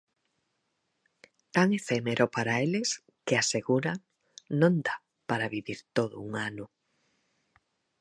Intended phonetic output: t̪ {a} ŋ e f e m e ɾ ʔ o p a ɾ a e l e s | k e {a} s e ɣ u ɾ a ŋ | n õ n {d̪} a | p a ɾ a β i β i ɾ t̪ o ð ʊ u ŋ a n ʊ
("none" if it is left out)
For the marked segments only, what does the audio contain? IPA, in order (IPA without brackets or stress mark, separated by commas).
a, a, d̪